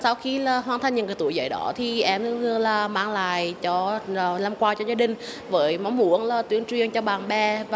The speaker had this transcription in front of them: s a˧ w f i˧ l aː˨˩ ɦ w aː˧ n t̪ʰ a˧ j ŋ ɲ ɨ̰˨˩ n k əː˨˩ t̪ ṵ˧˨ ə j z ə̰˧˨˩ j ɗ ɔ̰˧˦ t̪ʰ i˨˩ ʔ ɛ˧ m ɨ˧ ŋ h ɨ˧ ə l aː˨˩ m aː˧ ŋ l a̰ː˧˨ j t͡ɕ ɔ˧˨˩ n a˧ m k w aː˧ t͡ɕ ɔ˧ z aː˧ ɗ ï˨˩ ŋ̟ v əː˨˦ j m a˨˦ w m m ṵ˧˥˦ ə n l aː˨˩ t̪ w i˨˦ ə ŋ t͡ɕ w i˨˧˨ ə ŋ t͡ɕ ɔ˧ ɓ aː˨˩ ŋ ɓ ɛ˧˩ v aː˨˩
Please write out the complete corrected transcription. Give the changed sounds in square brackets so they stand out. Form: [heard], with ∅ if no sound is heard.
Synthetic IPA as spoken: s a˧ w [x] i˧ l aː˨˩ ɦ w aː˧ n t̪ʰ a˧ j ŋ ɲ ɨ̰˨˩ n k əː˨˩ t̪ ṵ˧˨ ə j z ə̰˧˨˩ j ɗ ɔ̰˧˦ t̪ʰ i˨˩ ʔ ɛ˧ m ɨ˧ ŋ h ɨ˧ ə l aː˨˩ m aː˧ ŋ l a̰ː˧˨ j t͡ɕ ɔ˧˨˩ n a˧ m k w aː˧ t͡ɕ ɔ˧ z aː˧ ɗ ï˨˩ ŋ̟ v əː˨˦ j m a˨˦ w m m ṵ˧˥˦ ə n l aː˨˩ t̪ w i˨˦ ə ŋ t͡ɕ w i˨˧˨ ə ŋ t͡ɕ ɔ˧ ɓ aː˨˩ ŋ ɓ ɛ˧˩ v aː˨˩